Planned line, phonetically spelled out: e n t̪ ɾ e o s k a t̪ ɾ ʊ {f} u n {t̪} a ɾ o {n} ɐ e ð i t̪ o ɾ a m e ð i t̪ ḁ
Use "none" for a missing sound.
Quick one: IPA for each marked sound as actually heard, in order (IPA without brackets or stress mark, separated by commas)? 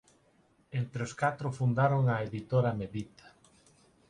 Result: f, d̪, ŋ